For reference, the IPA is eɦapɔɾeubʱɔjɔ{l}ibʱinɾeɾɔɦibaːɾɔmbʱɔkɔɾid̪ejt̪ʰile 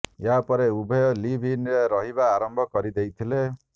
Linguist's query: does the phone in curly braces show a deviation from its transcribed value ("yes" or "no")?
no